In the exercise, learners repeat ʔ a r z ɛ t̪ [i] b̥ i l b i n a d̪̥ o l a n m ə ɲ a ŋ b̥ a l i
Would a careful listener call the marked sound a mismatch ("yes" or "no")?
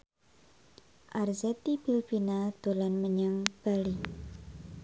no